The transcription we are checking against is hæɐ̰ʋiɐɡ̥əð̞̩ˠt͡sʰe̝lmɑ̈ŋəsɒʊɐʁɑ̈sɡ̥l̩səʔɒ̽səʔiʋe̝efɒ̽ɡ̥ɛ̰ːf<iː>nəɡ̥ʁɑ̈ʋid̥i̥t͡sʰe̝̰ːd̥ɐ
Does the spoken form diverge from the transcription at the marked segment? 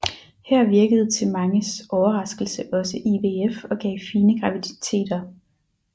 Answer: no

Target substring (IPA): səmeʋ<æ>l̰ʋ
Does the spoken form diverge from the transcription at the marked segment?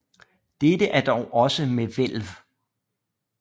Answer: yes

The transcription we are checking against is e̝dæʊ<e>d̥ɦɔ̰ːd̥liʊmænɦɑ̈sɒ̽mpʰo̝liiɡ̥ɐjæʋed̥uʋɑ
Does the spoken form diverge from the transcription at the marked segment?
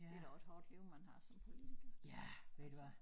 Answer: no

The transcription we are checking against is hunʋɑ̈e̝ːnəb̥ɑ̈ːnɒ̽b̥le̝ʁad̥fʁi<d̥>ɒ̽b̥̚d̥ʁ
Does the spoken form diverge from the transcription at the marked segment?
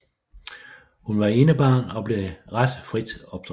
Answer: no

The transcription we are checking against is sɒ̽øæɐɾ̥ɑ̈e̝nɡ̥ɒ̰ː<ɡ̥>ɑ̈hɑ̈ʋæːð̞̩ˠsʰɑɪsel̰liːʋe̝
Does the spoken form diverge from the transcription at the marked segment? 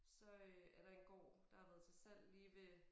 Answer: yes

